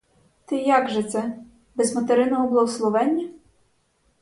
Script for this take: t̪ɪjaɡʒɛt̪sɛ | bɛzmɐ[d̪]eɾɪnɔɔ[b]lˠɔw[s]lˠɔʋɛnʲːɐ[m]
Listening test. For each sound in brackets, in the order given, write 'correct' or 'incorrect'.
incorrect: t̪, correct, correct, incorrect: none

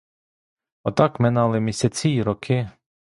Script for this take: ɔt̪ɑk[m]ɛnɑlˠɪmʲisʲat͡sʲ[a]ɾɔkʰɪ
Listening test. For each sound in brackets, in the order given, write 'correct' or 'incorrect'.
correct, incorrect: i

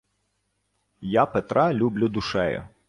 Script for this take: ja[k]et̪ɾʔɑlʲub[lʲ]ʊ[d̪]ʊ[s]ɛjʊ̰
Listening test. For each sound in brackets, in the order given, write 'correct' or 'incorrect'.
incorrect: p, correct, correct, incorrect: ʃ

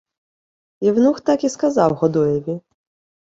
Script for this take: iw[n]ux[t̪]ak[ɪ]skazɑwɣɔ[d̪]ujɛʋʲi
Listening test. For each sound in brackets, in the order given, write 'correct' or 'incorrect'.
correct, correct, incorrect: i, correct

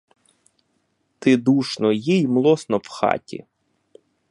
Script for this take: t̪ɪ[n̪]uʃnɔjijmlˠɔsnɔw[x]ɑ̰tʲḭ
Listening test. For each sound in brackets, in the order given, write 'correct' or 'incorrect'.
incorrect: d̪, correct

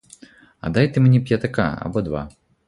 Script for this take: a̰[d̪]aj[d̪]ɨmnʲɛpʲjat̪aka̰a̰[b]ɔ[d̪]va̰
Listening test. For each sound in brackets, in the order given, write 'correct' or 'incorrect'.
correct, incorrect: t̪, correct, correct

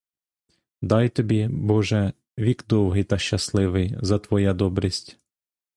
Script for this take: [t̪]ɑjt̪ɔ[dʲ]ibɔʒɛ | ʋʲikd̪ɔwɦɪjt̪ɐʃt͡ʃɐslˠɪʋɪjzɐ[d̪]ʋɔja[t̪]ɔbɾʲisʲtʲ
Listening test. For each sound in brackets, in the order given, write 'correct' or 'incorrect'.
incorrect: d̪, incorrect: bʲ, incorrect: t̪, incorrect: d̪

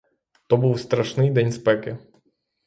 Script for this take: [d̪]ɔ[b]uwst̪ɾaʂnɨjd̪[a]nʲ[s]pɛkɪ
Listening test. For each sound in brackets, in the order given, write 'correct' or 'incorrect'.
incorrect: t̪, correct, incorrect: ɛ, correct

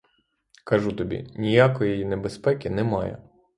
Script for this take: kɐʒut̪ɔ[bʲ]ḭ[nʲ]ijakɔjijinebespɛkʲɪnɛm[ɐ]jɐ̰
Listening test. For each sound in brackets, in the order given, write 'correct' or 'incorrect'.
correct, correct, incorrect: ɑ

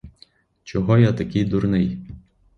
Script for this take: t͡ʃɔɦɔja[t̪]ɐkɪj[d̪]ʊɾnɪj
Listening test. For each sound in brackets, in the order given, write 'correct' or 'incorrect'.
correct, correct

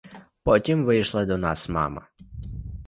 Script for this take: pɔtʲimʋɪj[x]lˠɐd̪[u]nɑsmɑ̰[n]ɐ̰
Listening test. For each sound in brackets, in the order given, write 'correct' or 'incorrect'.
incorrect: ʃ, incorrect: ɔ, incorrect: m

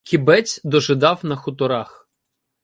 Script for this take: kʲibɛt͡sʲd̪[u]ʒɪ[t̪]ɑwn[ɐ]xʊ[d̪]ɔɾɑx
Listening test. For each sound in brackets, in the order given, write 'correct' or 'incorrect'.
incorrect: ɔ, incorrect: d̪, correct, incorrect: t̪

